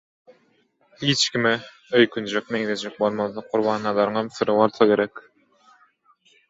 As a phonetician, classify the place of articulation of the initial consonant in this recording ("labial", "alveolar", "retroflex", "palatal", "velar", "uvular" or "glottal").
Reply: glottal